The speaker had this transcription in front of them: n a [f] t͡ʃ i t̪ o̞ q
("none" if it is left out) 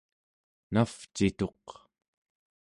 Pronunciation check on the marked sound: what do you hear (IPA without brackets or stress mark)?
f